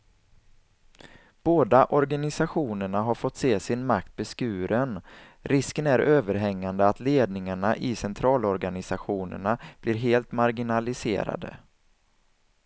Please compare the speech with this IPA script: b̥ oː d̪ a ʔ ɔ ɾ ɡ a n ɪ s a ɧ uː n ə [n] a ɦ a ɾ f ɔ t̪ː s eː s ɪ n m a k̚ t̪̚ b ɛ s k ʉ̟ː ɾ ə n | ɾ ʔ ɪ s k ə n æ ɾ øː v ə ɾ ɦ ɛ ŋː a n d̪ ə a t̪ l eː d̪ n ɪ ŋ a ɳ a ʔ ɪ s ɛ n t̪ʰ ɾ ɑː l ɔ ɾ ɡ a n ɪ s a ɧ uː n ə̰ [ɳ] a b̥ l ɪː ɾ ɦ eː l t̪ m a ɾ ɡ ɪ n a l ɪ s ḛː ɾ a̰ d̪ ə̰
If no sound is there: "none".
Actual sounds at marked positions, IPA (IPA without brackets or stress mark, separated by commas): ɳ, ɳ